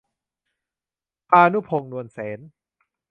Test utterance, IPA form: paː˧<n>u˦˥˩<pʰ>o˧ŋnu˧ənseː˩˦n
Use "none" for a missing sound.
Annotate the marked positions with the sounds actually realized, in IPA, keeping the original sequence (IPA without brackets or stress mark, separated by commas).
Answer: n, pʰ